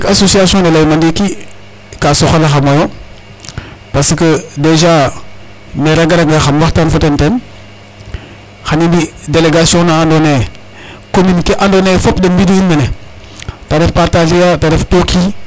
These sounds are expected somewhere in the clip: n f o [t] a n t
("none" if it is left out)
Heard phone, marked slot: t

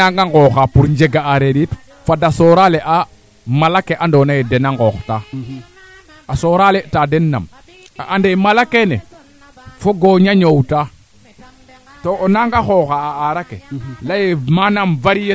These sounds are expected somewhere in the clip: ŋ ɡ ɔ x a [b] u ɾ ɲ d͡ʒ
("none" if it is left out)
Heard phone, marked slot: p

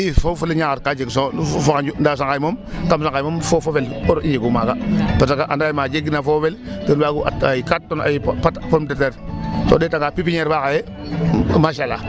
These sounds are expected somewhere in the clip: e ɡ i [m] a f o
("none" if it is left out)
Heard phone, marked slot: n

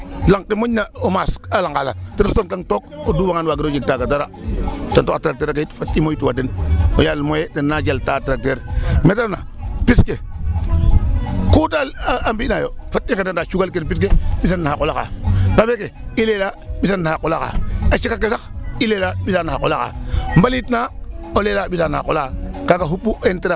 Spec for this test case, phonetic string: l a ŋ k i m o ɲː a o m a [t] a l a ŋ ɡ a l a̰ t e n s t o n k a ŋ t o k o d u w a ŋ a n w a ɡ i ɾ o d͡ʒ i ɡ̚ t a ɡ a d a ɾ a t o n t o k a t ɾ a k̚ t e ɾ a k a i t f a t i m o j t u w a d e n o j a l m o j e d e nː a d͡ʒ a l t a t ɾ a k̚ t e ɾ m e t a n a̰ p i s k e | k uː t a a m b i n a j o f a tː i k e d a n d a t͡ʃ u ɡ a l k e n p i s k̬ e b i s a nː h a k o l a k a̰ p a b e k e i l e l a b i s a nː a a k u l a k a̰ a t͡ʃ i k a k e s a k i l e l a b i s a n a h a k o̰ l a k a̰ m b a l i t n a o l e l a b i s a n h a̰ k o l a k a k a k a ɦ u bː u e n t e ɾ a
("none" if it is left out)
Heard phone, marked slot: s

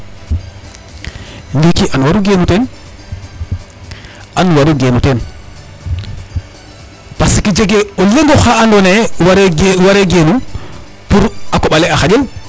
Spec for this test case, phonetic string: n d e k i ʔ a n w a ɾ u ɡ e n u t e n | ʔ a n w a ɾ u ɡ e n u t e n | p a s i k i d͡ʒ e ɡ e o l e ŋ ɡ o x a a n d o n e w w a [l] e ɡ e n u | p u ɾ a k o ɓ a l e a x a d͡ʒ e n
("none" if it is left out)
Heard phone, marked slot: ɾ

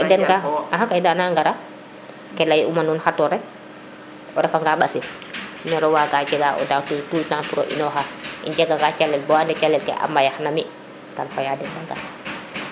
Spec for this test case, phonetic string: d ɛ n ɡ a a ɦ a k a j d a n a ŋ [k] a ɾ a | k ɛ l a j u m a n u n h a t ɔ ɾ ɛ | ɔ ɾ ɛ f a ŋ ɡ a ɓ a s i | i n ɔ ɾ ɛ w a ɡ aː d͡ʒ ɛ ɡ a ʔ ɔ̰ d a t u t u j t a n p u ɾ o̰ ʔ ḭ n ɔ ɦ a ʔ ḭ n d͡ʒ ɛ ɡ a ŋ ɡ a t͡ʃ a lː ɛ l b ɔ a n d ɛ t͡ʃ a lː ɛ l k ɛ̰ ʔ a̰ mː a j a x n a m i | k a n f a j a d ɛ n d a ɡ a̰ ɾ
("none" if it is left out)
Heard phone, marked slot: ɡ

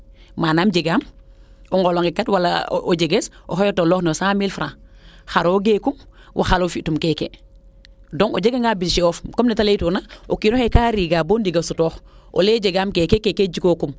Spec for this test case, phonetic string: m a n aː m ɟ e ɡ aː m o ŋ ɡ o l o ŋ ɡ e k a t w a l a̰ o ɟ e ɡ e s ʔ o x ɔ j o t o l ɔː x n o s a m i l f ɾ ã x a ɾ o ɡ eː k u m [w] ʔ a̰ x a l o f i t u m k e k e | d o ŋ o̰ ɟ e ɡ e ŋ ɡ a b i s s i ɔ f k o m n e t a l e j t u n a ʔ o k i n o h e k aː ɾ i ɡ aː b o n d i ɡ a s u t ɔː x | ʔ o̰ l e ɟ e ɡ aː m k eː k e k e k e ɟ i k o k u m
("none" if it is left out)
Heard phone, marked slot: w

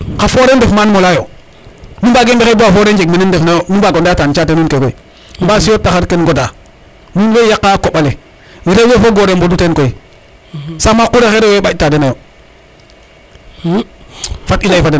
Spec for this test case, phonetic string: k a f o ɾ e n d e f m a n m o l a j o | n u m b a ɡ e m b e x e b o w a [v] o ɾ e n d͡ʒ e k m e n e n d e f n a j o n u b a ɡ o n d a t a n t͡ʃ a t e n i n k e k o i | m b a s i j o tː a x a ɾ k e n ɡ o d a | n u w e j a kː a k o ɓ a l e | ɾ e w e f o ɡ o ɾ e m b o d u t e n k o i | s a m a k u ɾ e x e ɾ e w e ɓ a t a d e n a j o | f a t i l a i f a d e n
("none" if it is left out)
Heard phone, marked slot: f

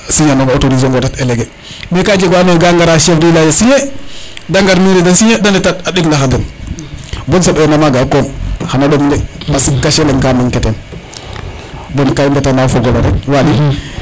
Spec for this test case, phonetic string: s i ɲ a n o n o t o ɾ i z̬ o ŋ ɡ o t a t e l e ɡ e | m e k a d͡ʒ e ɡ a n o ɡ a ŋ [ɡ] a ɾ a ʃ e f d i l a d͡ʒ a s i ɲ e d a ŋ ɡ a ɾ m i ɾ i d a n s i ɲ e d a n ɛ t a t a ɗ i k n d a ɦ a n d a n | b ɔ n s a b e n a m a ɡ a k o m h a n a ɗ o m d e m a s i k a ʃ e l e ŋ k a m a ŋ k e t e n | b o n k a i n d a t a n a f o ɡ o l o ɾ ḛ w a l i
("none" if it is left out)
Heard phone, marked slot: ɡ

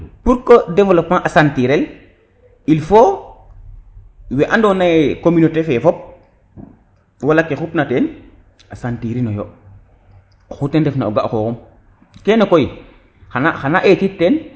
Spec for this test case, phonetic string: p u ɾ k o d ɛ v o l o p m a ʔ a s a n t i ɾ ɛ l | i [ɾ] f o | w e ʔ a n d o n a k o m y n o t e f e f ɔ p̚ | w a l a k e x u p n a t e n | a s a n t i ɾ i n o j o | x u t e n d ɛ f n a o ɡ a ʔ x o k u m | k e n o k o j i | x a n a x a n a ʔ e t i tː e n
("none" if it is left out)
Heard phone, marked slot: l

